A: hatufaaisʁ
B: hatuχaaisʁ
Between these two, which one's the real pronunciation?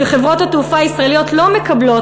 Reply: A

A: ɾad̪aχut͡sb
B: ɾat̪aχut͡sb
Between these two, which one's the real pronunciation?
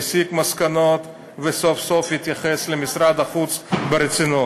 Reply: A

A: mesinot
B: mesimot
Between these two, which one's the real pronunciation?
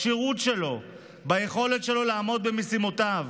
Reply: B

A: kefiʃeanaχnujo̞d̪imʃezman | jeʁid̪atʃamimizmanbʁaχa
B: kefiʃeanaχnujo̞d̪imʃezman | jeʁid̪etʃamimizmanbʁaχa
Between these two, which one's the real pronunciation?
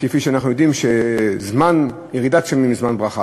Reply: A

